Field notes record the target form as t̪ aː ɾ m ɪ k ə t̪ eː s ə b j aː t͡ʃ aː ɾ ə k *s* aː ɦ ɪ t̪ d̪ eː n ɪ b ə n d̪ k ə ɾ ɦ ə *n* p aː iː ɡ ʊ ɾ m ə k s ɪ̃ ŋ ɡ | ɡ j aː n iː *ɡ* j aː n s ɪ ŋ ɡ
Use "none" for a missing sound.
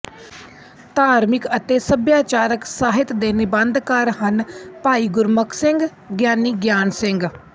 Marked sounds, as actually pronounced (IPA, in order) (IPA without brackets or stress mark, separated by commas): s, n, ɡ